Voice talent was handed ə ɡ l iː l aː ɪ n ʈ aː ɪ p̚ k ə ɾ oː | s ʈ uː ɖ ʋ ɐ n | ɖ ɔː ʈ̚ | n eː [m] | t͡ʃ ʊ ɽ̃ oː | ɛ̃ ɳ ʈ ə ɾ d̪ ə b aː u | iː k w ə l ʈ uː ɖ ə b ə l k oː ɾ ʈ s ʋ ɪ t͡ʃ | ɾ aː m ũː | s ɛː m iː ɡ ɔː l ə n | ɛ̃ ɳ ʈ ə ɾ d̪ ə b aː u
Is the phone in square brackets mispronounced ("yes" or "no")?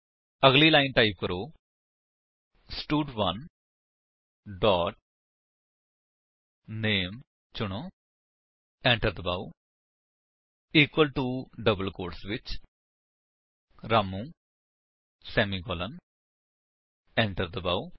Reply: no